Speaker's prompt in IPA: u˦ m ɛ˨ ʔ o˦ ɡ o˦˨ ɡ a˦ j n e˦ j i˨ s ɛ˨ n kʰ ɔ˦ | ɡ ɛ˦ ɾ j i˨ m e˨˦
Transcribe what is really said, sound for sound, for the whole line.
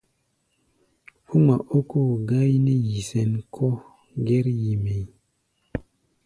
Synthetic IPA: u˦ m a˨ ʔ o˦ k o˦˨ ɡ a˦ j n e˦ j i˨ s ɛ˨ n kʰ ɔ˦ | ɡ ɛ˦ ɾ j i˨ m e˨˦